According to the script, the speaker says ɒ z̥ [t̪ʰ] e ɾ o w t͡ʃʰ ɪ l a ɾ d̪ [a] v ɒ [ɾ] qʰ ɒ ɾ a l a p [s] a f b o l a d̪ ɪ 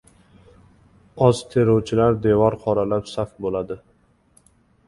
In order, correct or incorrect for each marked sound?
correct, incorrect: e, correct, correct

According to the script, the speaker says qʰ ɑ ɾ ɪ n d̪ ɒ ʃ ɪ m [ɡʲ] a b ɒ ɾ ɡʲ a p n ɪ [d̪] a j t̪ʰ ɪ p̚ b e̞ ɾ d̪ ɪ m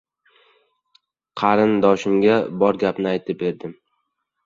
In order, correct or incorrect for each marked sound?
correct, incorrect: none

